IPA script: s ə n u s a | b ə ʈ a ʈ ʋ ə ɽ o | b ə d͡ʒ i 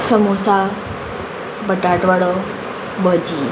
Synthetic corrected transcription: s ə m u s a | b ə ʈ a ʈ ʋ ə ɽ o | b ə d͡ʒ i